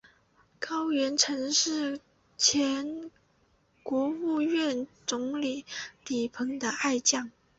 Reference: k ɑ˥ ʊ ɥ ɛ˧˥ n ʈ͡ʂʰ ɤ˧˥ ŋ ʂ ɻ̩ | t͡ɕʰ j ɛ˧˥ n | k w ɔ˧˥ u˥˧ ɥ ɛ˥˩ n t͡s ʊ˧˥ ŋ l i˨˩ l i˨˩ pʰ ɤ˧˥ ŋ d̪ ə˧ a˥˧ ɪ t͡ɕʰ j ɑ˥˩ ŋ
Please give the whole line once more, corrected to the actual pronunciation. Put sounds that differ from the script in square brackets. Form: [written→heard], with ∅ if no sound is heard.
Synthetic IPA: k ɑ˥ ʊ ɥ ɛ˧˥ n ʈ͡ʂʰ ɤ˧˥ ŋ ʂ ɻ̩ | t͡ɕʰ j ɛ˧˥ n | k w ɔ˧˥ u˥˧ ɥ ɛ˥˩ n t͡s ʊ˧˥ ŋ l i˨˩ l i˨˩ pʰ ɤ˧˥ ŋ d̪ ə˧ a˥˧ ɪ [t͡ɕʰ→t͡ɕ] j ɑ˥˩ ŋ